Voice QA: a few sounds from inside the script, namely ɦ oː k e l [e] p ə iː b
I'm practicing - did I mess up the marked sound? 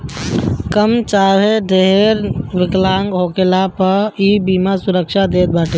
yes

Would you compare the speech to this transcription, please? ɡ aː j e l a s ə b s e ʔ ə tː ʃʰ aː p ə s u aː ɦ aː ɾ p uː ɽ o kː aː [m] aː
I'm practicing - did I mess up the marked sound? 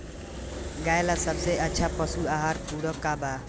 yes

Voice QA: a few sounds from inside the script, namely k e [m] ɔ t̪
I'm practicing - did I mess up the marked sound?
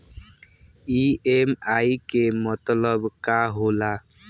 no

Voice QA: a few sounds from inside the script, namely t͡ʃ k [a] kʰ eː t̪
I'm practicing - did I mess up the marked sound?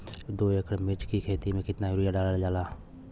yes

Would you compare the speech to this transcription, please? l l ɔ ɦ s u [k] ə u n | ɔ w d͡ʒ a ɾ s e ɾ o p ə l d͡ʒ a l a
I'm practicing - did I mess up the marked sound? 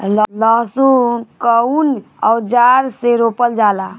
no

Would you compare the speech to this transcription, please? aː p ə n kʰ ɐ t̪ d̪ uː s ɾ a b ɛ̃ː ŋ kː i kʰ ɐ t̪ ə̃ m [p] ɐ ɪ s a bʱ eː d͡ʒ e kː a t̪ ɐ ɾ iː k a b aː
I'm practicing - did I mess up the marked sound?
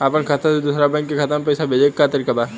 no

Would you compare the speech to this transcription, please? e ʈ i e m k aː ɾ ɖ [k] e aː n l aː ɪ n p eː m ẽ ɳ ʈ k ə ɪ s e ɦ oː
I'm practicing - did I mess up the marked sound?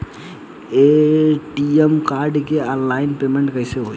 no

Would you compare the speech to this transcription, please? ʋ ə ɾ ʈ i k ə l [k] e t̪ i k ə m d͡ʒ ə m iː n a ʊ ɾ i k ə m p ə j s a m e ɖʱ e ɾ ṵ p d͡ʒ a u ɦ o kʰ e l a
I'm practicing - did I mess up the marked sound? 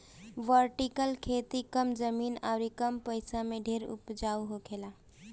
yes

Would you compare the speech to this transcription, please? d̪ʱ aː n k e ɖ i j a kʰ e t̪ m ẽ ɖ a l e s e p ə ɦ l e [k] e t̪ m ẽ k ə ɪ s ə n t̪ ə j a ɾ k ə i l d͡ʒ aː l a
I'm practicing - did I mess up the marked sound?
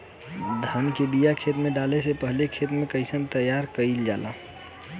yes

